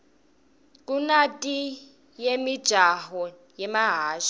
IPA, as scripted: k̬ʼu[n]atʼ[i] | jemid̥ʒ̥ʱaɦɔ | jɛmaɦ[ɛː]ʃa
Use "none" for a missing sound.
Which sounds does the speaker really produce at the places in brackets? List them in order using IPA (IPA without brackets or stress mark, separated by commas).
n, i, aː